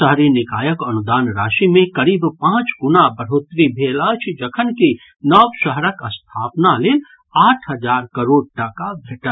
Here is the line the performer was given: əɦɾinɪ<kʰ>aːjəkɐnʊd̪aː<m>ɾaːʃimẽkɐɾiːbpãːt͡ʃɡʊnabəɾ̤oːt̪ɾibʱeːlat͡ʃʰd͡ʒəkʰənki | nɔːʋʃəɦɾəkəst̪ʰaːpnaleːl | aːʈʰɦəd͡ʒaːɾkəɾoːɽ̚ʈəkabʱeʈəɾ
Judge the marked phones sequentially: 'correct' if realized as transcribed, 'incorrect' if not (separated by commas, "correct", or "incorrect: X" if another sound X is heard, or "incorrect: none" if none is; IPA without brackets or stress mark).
incorrect: k, incorrect: n